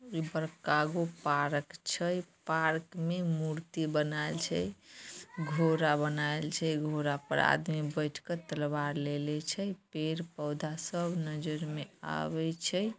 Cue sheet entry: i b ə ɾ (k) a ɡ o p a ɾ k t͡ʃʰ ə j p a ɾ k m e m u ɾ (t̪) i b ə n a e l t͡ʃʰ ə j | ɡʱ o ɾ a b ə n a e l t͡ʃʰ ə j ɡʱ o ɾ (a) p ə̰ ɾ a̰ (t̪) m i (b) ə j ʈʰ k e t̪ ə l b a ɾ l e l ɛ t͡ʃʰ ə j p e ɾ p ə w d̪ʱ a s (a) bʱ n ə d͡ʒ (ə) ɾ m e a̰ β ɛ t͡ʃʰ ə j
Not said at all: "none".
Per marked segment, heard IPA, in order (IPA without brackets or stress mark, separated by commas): k, t̪, a, d̪, b, ə, ə